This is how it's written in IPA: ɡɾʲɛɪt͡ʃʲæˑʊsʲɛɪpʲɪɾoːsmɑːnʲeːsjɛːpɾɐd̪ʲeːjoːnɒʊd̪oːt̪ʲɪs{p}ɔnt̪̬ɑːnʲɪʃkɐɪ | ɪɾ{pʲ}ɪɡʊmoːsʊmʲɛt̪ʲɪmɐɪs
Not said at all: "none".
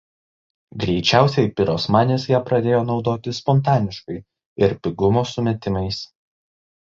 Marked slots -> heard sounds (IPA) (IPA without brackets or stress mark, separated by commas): p, pʲ